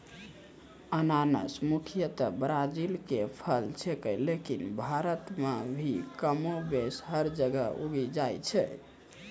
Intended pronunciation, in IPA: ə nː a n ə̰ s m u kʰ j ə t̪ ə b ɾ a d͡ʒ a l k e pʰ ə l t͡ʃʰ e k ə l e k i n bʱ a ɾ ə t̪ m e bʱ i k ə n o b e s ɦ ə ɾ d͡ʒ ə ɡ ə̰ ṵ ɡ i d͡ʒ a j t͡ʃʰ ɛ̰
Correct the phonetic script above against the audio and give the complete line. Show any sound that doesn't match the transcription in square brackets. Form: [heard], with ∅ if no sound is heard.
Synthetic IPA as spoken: ə [n] a n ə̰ s m u kʰ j ə t̪ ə b ɾ a d͡ʒ [i] l k e pʰ ə l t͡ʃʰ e k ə l e k i n bʱ a ɾ ə t̪ m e bʱ i k ə [m] o b e s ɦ ə ɾ d͡ʒ ə ɡ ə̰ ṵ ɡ i d͡ʒ a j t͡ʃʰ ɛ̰

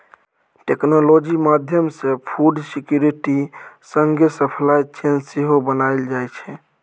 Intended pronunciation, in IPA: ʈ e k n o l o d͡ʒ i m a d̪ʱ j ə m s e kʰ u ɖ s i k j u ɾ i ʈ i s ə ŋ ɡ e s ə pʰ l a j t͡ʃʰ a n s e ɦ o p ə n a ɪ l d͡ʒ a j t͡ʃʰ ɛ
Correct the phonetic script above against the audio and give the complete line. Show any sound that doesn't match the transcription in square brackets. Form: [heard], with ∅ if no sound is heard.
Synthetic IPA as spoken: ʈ e k n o l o d͡ʒ i m a d̪ʱ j ə m s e [pʰ] u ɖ s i k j u ɾ i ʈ i s ə ŋ ɡ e s ə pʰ l a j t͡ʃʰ [e] n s e ɦ o [b] ə n a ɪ l d͡ʒ a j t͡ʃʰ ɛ

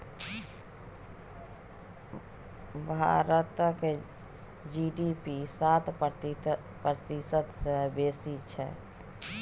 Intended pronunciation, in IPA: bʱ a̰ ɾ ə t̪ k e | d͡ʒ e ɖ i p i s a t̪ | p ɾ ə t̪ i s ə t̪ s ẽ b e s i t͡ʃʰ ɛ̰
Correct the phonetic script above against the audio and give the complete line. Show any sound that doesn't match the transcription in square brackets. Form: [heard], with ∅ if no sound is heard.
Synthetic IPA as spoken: bʱ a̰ ɾ ə t̪ k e | d͡ʒ [i] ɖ i p i s a t̪ | p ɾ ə t̪ i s ə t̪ s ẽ b e s i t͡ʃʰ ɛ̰

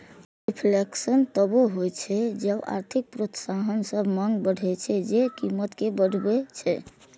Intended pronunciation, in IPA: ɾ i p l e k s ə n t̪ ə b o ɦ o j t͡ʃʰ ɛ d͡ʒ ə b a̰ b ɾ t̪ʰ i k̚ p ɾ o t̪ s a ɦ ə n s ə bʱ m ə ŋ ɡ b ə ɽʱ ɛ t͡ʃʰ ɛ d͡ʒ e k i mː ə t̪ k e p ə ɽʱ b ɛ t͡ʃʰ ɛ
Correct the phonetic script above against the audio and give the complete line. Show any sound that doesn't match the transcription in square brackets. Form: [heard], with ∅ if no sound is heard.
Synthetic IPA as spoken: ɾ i [pʰ] l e k s ə n t̪ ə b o ɦ o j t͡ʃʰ ɛ d͡ʒ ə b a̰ [∅] ɾ t̪ʰ i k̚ p ɾ o t̪ s a ɦ ə n s ə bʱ m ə ŋ ɡ b ə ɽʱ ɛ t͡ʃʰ ɛ d͡ʒ e k i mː ə t̪ k e [b] ə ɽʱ b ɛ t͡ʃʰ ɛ

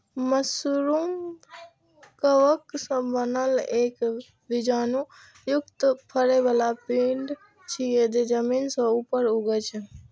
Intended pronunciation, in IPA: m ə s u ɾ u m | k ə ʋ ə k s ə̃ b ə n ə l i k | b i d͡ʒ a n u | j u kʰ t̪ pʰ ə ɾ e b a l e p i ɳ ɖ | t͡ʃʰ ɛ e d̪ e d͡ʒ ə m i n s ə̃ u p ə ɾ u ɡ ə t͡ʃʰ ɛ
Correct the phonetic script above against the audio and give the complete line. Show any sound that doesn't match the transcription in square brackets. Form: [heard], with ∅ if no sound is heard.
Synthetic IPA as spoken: m ə s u ɾ u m | k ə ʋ ə k s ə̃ b ə n ə l [e] k | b i d͡ʒ a n u | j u [k] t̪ pʰ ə ɾ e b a l [a] p i ɳ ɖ | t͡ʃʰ [i] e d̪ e d͡ʒ ə m i n s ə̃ u p ə ɾ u ɡ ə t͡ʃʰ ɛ

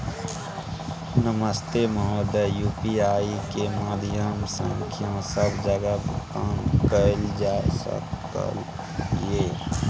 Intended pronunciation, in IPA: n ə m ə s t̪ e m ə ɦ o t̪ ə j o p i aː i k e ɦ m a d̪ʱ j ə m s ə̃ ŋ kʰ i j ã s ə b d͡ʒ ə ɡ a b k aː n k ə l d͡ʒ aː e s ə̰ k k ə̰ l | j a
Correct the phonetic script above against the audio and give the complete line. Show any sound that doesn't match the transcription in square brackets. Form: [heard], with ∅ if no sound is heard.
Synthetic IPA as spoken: n ə m ə s t̪ e m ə ɦ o [d̪] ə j [u] p i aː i k e [∅] m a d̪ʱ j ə m s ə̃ ŋ kʰ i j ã s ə b d͡ʒ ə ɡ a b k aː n k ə l d͡ʒ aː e s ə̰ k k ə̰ l | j [e]

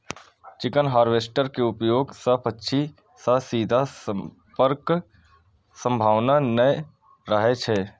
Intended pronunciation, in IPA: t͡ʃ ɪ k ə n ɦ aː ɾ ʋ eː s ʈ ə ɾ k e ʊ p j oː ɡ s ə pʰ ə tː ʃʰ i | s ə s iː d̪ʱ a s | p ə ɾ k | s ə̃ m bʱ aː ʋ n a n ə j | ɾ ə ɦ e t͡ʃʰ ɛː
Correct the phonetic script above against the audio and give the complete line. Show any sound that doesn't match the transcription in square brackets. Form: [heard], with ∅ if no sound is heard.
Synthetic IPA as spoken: t͡ʃ ɪ k ə n ɦ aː ɾ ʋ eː s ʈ ə ɾ k e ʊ p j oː ɡ s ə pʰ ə tː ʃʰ i | s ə s iː d̪ʱ a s | p ə ɾ k | s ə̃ m bʱ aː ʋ n a n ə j | ɾ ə ɦ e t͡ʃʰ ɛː

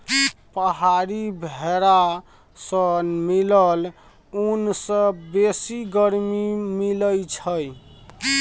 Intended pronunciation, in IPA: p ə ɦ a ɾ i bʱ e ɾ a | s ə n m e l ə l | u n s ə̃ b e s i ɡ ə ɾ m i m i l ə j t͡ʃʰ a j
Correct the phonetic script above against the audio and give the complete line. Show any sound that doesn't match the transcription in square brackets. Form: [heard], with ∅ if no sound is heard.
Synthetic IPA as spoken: p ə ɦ a ɾ i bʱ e ɾ a | s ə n m [i] l ə l | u n s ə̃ b e s i ɡ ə ɾ m i m i l ə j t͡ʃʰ [ə] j

